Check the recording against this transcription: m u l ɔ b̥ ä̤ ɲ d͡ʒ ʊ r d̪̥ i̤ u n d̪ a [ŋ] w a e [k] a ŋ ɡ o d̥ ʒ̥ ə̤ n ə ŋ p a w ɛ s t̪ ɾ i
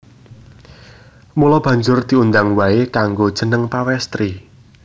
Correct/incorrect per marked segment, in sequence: correct, correct

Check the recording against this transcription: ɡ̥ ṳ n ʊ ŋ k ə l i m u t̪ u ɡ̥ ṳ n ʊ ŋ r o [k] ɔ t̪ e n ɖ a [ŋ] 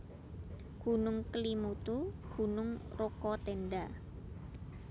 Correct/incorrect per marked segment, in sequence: correct, incorrect: none

